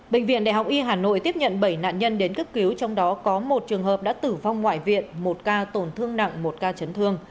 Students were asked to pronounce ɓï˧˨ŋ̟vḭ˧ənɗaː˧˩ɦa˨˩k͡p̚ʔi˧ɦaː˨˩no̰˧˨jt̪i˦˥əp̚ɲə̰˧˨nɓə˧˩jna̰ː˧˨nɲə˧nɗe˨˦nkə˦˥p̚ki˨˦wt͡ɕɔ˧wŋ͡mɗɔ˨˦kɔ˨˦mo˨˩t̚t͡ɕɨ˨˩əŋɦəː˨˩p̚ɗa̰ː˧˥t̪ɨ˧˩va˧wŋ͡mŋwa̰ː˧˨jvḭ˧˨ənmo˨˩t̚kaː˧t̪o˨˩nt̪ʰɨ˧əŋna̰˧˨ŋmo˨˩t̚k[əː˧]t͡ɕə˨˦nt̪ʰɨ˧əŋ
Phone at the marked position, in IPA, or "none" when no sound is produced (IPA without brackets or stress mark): aː˧